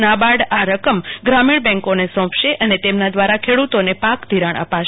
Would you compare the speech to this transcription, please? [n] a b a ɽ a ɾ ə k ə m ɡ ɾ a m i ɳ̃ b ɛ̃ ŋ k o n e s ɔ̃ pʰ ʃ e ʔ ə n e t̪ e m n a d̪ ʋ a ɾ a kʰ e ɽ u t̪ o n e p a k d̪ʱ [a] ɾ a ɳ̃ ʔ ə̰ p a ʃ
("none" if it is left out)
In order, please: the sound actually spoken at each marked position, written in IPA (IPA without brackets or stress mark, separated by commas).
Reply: n, i